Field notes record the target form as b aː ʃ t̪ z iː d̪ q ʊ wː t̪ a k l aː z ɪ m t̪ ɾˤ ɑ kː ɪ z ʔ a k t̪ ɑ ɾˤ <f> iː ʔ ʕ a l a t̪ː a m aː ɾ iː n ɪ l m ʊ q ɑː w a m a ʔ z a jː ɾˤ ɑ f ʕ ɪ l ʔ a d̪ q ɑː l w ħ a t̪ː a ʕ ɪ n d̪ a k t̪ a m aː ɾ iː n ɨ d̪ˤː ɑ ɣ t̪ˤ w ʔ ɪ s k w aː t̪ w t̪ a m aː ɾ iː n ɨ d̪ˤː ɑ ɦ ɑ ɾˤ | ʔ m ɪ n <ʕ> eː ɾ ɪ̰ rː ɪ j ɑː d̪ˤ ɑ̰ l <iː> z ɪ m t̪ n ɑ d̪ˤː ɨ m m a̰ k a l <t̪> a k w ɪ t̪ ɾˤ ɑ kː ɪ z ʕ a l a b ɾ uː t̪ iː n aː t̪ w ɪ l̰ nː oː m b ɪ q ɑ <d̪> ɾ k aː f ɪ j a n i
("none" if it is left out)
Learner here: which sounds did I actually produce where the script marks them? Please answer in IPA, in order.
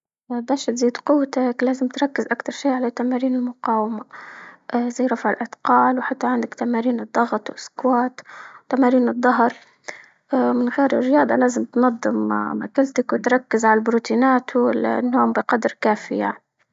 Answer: ʃ, ɣ, aː, t̪, d̪

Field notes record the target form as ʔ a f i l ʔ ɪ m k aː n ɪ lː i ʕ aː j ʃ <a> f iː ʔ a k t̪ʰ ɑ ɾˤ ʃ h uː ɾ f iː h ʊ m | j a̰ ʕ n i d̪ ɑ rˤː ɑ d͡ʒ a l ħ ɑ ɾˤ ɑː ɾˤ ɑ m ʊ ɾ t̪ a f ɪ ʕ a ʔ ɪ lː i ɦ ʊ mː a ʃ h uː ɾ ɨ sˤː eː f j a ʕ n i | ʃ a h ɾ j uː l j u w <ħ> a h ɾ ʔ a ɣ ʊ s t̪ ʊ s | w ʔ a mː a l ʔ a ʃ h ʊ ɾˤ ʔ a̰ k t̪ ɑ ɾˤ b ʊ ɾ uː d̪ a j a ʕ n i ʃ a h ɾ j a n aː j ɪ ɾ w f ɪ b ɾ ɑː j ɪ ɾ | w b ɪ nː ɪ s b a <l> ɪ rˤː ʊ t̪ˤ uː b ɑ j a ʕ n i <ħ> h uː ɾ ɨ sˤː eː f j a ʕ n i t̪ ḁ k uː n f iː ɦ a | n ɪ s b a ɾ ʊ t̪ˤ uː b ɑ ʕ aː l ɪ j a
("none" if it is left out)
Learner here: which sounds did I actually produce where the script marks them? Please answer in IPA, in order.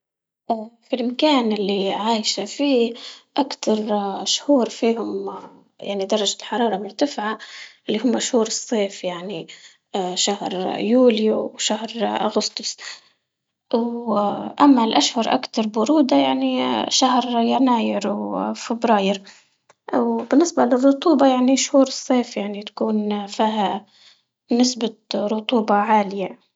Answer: a, ʃ, l, ʃ

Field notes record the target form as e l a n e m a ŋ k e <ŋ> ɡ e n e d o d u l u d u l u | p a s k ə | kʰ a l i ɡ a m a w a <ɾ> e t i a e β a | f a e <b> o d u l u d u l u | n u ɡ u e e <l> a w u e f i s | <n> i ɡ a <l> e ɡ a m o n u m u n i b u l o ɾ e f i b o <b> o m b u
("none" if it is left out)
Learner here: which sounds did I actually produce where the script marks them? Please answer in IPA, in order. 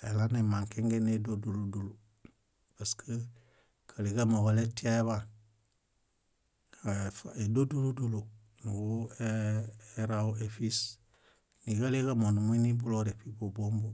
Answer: ŋ, l, d, ɾ, n, l, b

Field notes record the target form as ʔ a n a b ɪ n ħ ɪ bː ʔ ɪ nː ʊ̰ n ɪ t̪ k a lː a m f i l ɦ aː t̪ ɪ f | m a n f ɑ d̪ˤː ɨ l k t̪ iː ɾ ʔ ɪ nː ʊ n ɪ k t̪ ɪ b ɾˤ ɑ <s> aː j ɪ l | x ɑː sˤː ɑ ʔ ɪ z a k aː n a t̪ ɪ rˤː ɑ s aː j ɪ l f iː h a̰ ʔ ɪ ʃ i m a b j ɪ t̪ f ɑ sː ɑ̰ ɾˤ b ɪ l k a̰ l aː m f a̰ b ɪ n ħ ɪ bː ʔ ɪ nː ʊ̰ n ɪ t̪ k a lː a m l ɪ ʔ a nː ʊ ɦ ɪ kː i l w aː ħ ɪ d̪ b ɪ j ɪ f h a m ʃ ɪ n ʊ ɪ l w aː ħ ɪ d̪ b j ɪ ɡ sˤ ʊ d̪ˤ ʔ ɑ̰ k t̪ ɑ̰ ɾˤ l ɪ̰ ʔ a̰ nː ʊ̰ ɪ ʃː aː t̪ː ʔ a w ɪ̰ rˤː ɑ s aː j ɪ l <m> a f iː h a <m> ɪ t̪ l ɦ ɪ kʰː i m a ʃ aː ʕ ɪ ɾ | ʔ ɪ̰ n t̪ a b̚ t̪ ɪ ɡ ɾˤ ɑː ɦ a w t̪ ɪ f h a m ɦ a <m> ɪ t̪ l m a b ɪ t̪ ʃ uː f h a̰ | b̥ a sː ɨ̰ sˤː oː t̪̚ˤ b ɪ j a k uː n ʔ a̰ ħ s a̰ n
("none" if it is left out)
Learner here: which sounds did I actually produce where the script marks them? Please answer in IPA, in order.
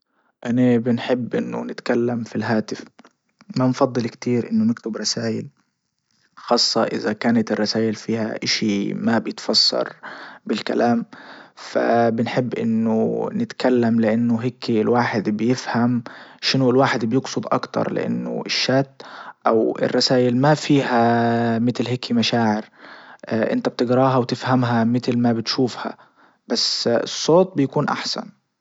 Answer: s, m, m, m

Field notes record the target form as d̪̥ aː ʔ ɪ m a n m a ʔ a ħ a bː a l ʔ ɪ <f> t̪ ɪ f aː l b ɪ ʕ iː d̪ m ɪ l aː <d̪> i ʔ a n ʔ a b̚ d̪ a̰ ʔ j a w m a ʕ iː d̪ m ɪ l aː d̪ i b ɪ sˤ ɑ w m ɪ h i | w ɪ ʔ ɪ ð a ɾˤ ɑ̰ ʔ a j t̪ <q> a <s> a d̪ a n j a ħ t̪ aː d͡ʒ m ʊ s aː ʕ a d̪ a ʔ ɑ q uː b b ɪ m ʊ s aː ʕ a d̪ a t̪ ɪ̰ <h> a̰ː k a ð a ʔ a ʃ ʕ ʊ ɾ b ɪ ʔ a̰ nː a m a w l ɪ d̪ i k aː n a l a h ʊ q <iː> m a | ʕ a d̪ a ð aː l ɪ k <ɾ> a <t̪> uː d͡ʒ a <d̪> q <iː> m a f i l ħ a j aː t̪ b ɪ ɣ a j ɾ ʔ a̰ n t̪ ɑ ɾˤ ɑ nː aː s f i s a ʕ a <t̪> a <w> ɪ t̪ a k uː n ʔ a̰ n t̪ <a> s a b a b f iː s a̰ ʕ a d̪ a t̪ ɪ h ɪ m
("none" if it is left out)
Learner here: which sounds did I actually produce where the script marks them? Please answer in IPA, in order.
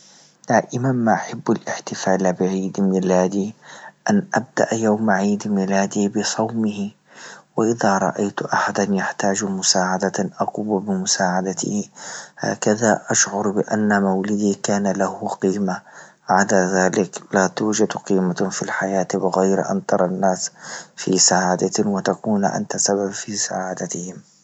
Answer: ħ, d̪, ʔ, ħ, h, iː, l, t̪, d̪, iː, d̪, w, a

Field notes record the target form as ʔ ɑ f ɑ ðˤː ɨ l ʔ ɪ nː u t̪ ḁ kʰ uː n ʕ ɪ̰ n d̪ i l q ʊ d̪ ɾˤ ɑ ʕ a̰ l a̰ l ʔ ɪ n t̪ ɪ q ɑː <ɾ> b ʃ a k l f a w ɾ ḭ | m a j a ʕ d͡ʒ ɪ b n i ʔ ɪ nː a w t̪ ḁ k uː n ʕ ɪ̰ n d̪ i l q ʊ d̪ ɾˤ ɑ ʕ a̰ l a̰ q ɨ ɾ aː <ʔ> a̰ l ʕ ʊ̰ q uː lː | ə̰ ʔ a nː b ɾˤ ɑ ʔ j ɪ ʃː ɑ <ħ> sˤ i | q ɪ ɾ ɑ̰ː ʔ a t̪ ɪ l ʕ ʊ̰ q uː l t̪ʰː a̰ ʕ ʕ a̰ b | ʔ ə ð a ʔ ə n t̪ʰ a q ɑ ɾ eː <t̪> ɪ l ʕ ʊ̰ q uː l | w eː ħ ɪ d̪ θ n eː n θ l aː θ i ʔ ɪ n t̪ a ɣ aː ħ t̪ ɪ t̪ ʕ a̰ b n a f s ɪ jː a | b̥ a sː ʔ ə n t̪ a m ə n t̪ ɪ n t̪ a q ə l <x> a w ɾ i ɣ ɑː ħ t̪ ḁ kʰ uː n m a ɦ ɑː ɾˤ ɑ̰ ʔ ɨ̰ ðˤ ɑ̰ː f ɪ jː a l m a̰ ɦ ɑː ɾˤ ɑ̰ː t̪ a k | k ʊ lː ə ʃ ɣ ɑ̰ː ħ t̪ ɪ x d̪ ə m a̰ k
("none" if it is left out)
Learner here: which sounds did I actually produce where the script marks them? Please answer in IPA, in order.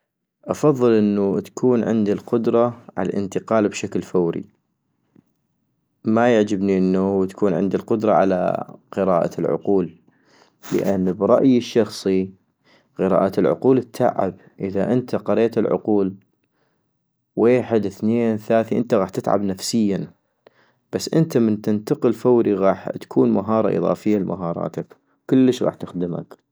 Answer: l, ʔ, x, t̪, f

